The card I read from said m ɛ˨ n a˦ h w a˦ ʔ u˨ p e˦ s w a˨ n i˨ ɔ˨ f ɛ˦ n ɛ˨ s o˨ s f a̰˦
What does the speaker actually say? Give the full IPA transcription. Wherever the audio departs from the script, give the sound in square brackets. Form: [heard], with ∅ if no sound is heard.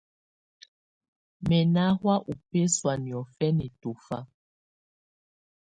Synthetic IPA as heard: m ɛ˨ n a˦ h w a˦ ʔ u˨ p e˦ s w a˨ n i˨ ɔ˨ f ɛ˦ n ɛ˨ [t] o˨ [∅] f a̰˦